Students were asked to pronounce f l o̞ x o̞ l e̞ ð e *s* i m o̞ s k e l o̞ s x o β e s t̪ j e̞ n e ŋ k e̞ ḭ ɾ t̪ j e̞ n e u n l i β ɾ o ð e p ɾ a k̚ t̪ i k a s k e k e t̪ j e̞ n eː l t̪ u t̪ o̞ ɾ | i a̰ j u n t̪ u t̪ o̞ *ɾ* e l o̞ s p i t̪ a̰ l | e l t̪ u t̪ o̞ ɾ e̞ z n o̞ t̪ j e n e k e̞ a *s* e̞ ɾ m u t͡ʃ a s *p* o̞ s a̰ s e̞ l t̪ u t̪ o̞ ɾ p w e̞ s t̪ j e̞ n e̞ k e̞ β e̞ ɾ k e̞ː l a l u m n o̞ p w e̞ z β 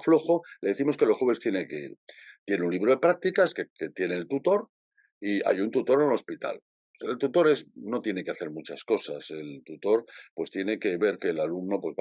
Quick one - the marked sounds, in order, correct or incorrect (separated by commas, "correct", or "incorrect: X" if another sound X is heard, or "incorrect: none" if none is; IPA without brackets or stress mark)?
incorrect: θ, correct, incorrect: θ, incorrect: k